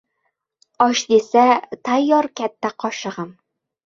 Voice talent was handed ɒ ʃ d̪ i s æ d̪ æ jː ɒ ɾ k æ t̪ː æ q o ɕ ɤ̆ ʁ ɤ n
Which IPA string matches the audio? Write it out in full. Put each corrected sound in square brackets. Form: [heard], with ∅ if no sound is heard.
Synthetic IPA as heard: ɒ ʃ d̪ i s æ [t̪] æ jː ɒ ɾ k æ t̪ː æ q [ɒ] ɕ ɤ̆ ʁ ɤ [m]